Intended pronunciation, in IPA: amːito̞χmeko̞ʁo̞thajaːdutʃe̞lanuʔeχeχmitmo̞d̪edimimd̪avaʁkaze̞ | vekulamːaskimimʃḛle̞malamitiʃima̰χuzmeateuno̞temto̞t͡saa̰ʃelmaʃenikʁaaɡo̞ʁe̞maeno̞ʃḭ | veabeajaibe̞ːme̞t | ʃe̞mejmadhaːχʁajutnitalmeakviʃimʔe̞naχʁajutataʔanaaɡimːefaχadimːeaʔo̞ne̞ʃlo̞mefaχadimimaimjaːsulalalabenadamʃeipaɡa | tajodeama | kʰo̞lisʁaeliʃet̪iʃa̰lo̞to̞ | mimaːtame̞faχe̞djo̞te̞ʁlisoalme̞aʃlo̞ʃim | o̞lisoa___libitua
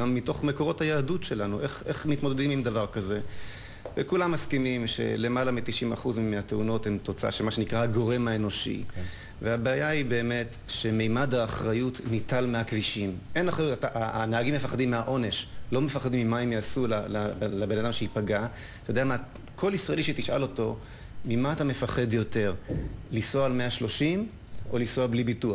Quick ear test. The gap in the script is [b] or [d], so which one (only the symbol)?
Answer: b